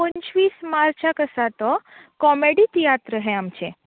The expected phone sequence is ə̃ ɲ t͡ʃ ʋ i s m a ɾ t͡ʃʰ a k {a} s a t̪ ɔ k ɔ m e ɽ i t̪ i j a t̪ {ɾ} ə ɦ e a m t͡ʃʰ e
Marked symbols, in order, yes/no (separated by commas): no, yes